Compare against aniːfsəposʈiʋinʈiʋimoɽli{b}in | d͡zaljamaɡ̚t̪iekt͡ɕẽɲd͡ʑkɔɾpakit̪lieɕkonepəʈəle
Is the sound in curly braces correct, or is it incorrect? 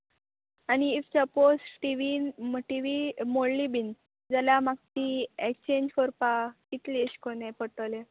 correct